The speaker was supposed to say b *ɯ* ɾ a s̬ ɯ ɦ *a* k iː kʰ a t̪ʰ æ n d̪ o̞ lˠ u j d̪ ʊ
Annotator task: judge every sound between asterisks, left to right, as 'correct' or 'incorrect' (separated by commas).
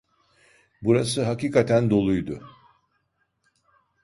incorrect, correct